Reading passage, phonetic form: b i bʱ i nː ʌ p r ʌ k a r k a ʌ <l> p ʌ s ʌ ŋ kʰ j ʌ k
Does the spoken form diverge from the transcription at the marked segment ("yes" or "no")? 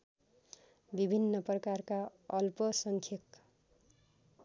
no